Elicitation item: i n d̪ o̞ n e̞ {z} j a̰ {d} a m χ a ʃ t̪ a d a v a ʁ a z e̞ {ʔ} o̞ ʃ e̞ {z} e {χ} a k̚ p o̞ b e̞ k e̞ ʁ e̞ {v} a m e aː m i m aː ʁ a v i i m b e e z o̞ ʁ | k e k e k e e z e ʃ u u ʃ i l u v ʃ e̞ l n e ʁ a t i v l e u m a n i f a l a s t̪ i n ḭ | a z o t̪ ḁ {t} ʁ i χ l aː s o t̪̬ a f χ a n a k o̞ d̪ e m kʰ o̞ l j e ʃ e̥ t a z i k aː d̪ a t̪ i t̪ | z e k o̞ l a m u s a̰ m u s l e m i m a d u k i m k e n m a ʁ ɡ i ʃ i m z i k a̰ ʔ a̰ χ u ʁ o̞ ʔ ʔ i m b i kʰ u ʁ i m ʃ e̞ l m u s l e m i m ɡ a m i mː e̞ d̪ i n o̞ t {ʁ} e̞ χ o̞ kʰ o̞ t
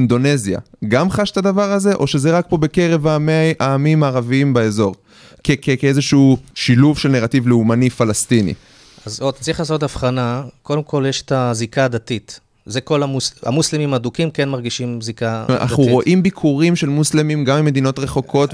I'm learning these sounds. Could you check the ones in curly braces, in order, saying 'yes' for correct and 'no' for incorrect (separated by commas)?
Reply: yes, no, yes, yes, no, yes, no, yes